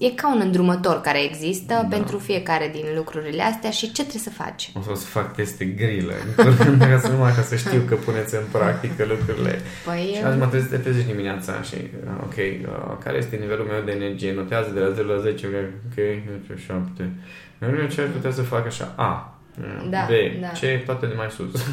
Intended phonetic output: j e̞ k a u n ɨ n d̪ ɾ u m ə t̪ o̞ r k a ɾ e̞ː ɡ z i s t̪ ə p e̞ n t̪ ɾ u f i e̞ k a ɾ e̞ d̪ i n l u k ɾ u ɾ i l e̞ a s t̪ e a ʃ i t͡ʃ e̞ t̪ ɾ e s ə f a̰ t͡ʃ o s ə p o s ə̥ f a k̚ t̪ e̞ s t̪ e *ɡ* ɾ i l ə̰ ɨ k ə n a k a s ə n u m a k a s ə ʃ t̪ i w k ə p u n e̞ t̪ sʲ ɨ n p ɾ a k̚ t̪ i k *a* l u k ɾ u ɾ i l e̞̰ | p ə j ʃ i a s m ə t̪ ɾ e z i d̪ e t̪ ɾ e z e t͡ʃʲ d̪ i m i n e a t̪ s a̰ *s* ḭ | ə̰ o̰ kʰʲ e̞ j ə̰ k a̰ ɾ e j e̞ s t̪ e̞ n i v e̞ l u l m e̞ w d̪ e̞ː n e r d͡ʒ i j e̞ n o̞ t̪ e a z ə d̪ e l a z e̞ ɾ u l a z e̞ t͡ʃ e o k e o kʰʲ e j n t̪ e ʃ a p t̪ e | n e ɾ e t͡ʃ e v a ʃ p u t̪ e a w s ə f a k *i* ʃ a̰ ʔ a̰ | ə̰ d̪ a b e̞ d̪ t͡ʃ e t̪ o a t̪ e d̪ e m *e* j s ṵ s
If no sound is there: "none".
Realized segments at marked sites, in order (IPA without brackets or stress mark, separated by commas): ɡ, ə, ʃ, a, a